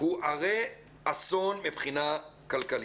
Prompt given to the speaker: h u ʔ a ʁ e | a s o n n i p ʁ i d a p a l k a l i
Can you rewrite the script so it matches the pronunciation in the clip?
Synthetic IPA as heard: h u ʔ a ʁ e | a s o n m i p χ i n a k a l k a l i